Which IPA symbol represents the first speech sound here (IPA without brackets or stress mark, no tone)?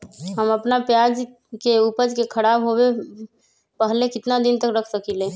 ɦ